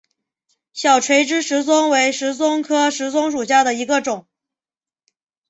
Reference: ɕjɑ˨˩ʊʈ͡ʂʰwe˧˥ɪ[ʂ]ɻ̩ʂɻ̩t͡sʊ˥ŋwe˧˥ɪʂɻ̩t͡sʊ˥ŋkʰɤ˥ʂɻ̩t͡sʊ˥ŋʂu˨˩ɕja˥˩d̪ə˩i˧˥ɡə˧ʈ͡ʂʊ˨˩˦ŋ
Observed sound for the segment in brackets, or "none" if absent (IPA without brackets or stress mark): ʈ͡ʂ